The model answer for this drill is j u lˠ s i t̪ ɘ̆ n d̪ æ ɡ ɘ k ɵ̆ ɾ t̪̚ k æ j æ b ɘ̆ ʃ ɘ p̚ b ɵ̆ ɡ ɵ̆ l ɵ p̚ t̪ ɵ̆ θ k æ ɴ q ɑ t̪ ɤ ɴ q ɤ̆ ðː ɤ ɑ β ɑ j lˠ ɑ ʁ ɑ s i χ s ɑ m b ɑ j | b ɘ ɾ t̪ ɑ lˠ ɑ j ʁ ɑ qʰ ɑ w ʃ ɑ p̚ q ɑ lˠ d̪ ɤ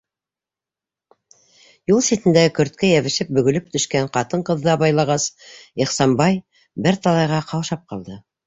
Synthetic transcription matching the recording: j u lˠ s i t̪ ɘ̆ n d̪ æ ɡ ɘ k ɵ̆ ɾ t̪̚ k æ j æ β ɘ̆ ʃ ɘ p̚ b ɵ̆ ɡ ɵ̆ l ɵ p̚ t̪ ɵ̆ ʃ k æ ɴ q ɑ t̪ ɤ ɴ q ɤ̆ ðː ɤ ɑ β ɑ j lˠ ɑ ʁ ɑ s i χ s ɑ m b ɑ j | b ɘ ɾ t̪ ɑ lˠ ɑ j ʁ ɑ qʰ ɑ w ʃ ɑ p̚ q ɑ lˠ d̪ ɤ

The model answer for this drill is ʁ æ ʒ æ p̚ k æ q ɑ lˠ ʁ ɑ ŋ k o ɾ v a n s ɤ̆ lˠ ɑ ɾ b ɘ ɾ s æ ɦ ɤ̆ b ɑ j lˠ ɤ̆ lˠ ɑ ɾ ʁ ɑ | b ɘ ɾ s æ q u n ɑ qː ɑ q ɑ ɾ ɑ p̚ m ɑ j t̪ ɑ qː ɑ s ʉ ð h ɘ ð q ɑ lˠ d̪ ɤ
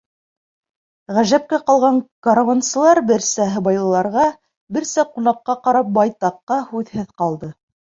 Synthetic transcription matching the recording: ʁ æ ʒ æ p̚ k æ q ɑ lˠ ʁ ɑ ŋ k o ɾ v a n s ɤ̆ lˠ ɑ ɾ b ɘ ɾ s æ ɦ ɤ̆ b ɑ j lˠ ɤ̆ lˠ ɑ ɾ ʁ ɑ | b ɘ ɾ s æ q u n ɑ qː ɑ q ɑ ɾ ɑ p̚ b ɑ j t̪ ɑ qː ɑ h ʉ ð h ɘ ð q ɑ lˠ d̪ ɤ

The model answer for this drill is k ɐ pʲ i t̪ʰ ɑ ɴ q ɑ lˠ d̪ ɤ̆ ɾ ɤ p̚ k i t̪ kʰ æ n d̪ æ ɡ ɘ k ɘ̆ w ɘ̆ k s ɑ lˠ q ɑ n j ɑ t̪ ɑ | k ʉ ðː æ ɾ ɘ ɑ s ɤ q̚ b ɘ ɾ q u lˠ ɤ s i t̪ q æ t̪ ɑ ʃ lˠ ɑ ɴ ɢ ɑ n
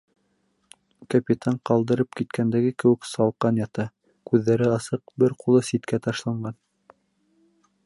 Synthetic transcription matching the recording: k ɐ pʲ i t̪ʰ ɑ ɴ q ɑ lˠ d̪ ɤ̆ ɾ ɤ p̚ k i t̪ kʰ æ n d̪ æ ɡ ɘ k ɘ̆ w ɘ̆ k s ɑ lˠ q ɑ n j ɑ t̪ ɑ | k ʉ ðː æ ɾ ɘ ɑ s ɤ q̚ b ɘ ɾ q u lˠ ɤ s i t̪ k æ t̪ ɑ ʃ lˠ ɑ ɴ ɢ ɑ n

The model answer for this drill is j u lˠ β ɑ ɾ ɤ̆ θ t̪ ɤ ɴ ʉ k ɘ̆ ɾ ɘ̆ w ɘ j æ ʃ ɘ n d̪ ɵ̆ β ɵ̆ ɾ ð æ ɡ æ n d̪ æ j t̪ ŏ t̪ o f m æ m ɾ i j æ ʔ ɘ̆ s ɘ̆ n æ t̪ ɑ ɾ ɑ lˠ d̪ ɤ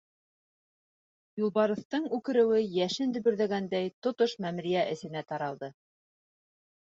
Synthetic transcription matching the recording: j u lˠ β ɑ ɾ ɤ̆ θ t̪ ɤ ɴ ʉ k ɘ̆ ɾ ɘ̆ w ɘ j æ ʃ ɘ n d̪ ɵ̆ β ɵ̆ ɾ ð æ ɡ æ n d̪ æ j t̪ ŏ t̪ o ʃ m æ m ɾ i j æ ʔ ɘ̆ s ɘ̆ n æ t̪ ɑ ɾ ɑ lˠ d̪ ɤ

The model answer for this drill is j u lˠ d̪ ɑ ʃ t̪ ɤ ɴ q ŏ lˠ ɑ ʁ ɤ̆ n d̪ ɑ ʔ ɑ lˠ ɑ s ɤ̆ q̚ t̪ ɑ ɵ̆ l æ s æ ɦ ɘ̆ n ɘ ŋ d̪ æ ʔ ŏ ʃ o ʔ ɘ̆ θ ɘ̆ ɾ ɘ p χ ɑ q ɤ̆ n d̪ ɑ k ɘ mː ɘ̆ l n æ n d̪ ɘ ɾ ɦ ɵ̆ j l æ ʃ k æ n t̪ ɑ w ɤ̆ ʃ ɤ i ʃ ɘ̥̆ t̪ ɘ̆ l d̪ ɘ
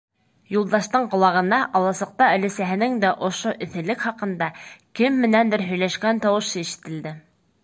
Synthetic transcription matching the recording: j u lˠ d̪ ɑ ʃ t̪ ɤ ɴ q ŏ lˠ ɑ ʁ ɤ̆ n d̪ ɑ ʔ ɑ lˠ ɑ s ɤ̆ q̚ t̪ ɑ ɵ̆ l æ s æ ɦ ɘ̆ n ɘ ŋ d̪ æ ʔ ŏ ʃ o ʔ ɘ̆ θ ɘ̆ l ɘ k χ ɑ q ɤ̆ n d̪ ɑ k ɘ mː ɘ̆ n æ n d̪ ɘ ɾ ɦ ɵ̆ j l æ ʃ k æ n t̪ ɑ w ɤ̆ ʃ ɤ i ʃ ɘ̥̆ t̪ ɘ̆ l d̪ ɘ

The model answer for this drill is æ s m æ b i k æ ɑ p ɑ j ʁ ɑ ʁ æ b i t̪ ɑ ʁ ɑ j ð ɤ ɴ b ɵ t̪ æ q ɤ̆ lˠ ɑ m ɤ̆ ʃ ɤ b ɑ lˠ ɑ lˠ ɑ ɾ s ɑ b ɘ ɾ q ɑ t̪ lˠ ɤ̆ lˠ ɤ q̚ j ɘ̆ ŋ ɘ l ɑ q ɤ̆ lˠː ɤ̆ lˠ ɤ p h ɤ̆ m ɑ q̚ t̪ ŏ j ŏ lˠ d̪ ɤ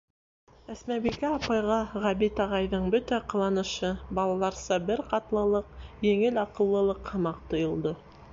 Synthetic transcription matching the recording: æ s m æ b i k æ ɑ p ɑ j ʁ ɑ ʁ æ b i t̪ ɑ ʁ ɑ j ð ɤ ɴ b ɵ t̪ æ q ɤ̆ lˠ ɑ n ɤ̆ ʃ ɤ b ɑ lˠ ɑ lˠ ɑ ɾ s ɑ b ɘ ɾ q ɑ t̪ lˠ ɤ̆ lˠ ɤ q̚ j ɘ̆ ŋ ɘ l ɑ q ɤ̆ lˠː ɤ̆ lˠ ɤ q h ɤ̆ m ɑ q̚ t̪ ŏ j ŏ lˠ d̪ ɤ

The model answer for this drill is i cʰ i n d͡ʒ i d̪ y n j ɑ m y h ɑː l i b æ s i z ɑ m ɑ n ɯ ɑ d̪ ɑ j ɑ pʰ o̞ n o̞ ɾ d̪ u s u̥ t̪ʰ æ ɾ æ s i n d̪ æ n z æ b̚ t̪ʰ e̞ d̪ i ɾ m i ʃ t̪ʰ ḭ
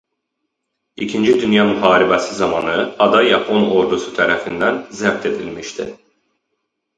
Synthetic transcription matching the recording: i cʰ i n d͡ʒ i d̪ y n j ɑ m y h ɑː ɾ i b æ s i z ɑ m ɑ n ɯ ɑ d̪ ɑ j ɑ pʰ o̞ n o̞ ɾ d̪ u s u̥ t̪ʰ æ ɾ æ f i n d̪ æ n z æ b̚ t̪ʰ e̞ d̪ i l m i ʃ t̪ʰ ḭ

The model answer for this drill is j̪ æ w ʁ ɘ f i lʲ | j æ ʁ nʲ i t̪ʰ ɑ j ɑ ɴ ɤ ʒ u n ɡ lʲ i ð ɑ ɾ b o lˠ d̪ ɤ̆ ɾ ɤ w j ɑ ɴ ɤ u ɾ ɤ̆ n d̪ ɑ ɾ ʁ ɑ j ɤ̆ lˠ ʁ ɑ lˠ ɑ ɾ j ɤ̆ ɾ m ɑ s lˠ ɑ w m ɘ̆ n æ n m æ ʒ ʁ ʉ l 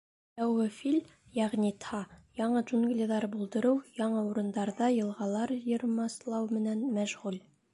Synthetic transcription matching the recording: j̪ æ w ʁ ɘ f i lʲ | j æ ʁ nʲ i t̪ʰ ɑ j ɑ ɴ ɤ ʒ u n ɡ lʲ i ð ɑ ɾ b u lˠ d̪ ɤ̆ ɾ ɤ w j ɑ ɴ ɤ u ɾ ɤ̆ n d̪ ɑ ɾ ð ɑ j ɤ̆ lˠ ʁ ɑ lˠ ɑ ɾ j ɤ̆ ɾ m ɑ s lˠ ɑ w m ɘ̆ n æ n m æ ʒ ʁ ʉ l

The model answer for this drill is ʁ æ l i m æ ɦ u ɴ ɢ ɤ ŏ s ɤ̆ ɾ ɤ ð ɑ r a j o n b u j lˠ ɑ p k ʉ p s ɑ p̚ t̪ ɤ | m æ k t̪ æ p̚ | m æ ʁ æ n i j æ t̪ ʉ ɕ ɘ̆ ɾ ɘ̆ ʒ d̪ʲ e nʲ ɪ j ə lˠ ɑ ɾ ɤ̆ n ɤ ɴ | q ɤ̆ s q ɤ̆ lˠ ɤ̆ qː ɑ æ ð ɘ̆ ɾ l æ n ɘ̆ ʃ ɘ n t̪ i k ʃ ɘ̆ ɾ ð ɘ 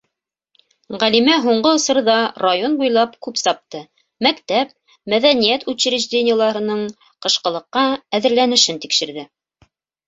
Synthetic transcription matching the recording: ʁ æ l i m æ ɦ u ɴ ɢ ɤ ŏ s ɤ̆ ɾ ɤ ð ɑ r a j o n b u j lˠ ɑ p k ʉ p s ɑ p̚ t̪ ɤ | m æ k t̪ æ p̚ | m æ ð æ n i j æ t̪ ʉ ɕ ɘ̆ ɾ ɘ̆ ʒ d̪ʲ e nʲ ɪ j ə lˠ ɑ ɾ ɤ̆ n ɤ ɴ | q ɤ̆ ʃ q ɤ̆ lˠ ɤ̆ qː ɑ æ ð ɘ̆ ɾ l æ n ɘ̆ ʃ ɘ n t̪ i k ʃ ɘ̆ ɾ ð ɘ

